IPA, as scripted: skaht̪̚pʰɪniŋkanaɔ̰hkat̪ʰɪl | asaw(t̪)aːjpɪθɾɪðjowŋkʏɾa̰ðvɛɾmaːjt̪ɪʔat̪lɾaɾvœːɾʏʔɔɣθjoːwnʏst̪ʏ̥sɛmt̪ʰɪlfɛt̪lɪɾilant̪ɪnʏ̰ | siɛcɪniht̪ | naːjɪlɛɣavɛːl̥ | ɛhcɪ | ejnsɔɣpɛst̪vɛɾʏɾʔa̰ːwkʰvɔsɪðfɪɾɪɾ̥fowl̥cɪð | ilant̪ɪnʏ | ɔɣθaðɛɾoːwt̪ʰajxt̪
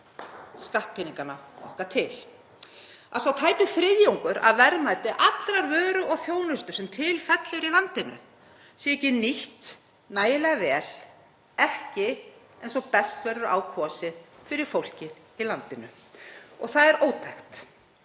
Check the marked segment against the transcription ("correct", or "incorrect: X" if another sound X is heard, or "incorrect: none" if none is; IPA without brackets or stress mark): incorrect: t̪ʰ